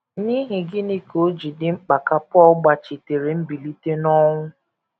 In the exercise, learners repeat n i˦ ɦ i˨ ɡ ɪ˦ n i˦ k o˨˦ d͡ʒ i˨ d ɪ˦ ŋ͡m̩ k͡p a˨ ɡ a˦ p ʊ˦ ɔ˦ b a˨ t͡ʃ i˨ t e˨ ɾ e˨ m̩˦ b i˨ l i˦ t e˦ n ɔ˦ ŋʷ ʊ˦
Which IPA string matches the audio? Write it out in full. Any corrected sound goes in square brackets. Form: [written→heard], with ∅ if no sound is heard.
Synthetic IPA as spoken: n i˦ ɦ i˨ ɡ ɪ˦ n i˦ k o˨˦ d͡ʒ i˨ d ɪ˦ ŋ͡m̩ k͡p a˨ [ɡ→k] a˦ p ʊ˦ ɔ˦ [b→ɡ͡b] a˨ t͡ʃ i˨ t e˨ ɾ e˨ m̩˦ b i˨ l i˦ t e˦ n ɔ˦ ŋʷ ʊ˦

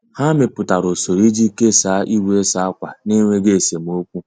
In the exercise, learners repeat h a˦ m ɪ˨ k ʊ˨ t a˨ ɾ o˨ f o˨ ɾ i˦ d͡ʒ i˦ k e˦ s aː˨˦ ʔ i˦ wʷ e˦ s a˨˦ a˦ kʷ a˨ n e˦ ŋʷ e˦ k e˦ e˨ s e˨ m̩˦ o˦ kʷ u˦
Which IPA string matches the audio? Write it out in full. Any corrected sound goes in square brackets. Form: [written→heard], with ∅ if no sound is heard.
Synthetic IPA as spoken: h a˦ m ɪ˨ [k→p] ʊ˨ t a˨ ɾ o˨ [f→s] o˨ ɾ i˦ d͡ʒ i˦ k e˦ s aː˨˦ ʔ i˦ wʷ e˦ s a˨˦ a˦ kʷ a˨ n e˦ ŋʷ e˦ [k→ɡ] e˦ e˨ s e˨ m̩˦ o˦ kʷ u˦

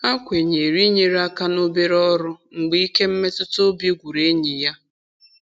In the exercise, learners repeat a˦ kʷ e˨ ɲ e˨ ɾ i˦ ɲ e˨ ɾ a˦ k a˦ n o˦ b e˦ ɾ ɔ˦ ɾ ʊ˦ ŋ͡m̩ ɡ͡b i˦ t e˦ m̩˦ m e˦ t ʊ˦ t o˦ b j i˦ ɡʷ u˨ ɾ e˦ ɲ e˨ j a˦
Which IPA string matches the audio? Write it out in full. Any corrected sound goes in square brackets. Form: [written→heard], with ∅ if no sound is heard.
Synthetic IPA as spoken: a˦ kʷ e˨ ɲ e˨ ɾ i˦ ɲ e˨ ɾ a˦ k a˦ n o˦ b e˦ ɾ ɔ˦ ɾ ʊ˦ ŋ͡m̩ ɡ͡b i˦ [t→k] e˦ m̩˦ m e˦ t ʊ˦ t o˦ b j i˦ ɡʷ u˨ ɾ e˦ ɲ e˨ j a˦

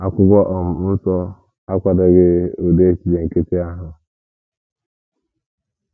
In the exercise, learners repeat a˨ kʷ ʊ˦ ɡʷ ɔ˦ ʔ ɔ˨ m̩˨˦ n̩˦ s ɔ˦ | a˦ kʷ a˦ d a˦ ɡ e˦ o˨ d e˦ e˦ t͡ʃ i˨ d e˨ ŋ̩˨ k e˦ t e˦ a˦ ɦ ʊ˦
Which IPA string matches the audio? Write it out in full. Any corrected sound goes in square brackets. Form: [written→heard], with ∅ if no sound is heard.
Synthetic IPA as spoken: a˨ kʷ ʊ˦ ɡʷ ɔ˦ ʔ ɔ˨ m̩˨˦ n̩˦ s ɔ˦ | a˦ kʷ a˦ d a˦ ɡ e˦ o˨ d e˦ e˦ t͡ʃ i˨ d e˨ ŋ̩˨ k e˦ t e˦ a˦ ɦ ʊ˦

